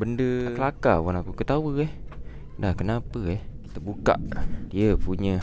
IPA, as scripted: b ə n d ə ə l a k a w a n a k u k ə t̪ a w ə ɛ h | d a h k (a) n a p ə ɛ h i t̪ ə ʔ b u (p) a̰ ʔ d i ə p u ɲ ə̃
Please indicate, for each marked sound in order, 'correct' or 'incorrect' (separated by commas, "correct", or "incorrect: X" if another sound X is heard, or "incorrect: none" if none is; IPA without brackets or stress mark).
incorrect: ə, incorrect: k